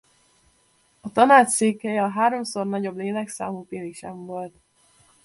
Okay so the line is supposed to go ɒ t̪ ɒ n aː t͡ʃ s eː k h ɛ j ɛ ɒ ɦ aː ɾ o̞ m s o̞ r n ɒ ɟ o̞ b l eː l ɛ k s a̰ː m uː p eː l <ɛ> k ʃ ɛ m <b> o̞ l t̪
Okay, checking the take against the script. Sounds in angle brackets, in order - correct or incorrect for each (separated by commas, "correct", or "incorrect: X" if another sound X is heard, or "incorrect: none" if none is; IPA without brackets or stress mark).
incorrect: i, incorrect: v